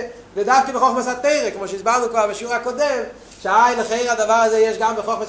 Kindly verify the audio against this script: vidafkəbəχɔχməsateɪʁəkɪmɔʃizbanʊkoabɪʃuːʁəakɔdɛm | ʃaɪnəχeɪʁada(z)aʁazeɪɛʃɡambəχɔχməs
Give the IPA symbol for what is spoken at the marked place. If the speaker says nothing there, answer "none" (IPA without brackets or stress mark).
v